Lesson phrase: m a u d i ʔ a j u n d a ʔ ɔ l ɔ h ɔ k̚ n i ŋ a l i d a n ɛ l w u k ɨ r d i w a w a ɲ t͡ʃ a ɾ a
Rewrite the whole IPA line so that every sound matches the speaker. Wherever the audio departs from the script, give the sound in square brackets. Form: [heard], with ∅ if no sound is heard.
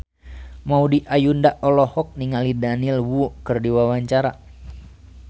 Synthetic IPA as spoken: m a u d i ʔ a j u n d a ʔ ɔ l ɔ h ɔ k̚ n i ŋ a l i d a n [i] l w u k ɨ r d i w a w a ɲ t͡ʃ a ɾ a